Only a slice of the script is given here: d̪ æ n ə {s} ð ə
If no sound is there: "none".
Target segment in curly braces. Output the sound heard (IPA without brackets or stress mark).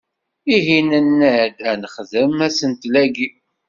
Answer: χ